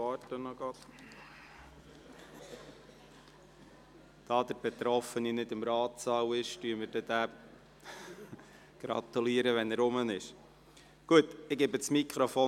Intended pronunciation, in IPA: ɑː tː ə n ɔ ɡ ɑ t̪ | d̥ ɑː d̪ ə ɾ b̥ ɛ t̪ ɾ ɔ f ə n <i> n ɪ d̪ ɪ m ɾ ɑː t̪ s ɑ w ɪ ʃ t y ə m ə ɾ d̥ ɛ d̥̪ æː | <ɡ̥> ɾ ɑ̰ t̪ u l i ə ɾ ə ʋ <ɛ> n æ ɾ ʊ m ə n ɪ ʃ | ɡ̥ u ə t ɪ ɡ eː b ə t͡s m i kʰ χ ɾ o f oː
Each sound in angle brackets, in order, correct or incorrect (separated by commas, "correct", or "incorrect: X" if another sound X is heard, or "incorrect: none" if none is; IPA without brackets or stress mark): correct, correct, correct